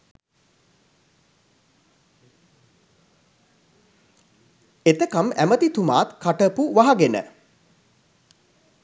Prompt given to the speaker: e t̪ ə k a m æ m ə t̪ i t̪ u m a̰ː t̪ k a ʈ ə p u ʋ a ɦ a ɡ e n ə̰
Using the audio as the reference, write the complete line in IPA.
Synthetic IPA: e t̪ ə k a m æ m ə t̪ i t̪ u m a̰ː t̪ k a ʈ ə p u ʋ a ɦ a ɡ e n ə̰

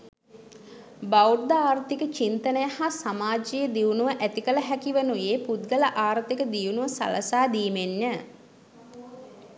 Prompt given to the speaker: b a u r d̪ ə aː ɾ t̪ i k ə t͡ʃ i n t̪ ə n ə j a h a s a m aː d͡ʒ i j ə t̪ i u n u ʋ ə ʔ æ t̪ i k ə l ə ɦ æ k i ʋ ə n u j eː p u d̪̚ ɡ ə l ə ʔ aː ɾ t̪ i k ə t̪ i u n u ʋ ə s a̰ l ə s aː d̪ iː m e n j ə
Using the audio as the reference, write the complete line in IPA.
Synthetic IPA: b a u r d̪ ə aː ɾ t̪ i k ə t͡ʃ i n t̪ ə n ə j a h a s a m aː d͡ʒ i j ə d̪ i u n u ʋ ə ʔ æ t̪ i k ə l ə ɦ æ k i ʋ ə n u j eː p u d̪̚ ɡ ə l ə ʔ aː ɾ t̪ i k ə d̪ i u n u ʋ ə s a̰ l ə s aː d̪ iː m e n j ə

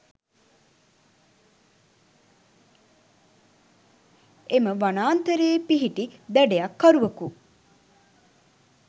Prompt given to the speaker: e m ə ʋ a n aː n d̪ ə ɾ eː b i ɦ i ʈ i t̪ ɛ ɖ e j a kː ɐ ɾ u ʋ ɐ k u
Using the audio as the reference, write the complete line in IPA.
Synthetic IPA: e m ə ʋ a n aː n t̪ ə ɾ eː p i ɦ i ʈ i d̪ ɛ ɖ e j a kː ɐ ɾ u ʋ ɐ k u

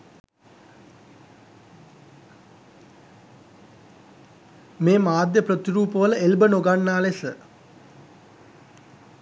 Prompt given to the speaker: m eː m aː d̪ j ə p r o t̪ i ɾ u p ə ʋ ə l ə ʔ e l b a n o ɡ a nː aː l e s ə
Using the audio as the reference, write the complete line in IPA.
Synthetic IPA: m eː m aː d̪ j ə p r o t̪ i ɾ uː p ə ʋ ə l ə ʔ e l b ə n o ɡ a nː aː l e s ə

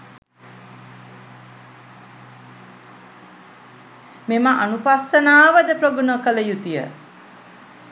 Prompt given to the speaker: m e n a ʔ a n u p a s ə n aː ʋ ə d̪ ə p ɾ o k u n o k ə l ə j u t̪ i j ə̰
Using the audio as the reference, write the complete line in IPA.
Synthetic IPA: m e m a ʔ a n u p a s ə n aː ʋ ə d̪ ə p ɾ o ɡ u n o k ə l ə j u t̪ i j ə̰

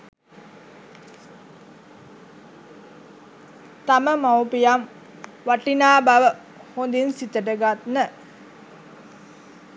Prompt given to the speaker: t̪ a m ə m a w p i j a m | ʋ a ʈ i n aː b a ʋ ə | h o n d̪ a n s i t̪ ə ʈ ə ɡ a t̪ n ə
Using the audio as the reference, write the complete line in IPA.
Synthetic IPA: t̪ a m ə m a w p i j a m | ʋ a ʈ i n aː b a ʋ ə | h o n d̪ i n s i t̪ ə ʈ ə ɡ a t̪ n ə

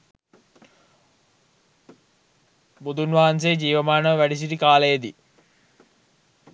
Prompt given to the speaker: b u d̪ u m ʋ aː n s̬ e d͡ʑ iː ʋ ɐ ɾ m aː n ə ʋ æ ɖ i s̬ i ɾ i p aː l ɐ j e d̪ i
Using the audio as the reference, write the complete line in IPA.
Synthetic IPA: b u d̪ u n ʋ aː n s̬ e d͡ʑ iː ʋ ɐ m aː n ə ʋ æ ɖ i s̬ i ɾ i k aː l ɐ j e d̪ i

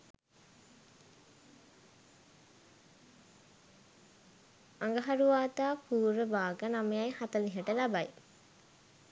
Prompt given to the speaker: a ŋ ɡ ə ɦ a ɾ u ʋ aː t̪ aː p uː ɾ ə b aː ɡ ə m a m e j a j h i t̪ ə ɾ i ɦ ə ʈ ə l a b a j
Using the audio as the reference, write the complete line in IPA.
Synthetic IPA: a ŋ ɡ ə ɦ a ɾ u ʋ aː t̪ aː p uː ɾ ə b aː ɡ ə n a m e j a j h a t̪ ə l i ɦ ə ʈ ə l a b a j

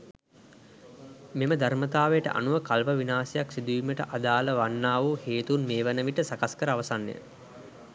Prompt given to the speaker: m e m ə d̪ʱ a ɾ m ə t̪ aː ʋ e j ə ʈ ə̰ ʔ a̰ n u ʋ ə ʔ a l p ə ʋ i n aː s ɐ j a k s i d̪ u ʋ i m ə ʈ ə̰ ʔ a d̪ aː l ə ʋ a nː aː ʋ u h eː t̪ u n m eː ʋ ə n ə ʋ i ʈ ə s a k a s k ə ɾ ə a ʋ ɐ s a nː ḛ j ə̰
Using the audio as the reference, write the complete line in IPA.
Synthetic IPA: m e m ə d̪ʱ a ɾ m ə t̪ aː ʋ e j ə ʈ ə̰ ʔ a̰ n u ʋ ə k a l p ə ʋ i n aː s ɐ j a k s i d̪ u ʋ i m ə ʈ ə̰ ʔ a d̪ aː l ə ʋ a nː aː ʋ u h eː t̪ u n m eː ʋ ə n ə ʋ i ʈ ə s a k a s k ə ɾ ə a ʋ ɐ s a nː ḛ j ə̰

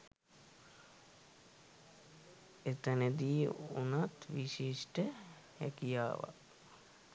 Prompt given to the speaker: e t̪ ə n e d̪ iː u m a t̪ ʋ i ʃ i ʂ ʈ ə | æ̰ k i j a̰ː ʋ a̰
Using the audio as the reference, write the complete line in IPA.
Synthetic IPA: e t̪ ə n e d̪ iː u n a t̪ ʋ i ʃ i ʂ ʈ ə | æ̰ k i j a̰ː ʋ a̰

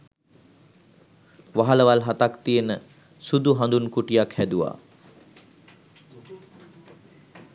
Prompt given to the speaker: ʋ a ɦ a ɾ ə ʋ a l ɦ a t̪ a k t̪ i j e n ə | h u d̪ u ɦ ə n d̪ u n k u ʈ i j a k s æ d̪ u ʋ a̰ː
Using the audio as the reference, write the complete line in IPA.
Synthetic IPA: ʋ a ɦ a l ə ʋ a l ɦ a t̪ a k t̪ i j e n ə | s u d̪ u ɦ a n d̪ u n k u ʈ i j a k h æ d̪ u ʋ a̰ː

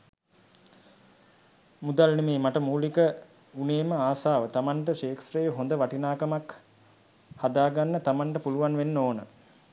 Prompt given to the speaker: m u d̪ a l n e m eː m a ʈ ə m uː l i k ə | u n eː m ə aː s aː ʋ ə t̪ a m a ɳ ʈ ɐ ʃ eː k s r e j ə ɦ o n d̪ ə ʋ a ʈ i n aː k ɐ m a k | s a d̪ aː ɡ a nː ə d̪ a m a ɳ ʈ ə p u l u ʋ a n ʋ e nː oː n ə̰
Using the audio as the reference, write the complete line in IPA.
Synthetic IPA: m u d̪ a l n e m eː m a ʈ ə m uː l i k ə | u n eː m ə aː s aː ʋ ə t̪ a m a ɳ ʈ ə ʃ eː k s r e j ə ɦ o n d̪ ə ʋ a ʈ i n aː k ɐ m a k | h a d̪ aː ɡ a nː ə t̪ a m a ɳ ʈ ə p u l u ʋ a n ʋ e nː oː n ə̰

